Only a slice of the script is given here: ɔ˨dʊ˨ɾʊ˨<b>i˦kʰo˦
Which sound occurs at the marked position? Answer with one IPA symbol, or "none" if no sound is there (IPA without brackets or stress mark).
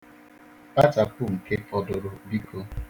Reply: b